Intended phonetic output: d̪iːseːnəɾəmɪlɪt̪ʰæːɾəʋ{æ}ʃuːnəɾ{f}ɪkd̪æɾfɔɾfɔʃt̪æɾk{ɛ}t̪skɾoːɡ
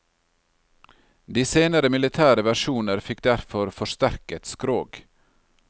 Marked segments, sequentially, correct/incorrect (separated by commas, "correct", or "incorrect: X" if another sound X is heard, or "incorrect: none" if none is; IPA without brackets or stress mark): correct, correct, correct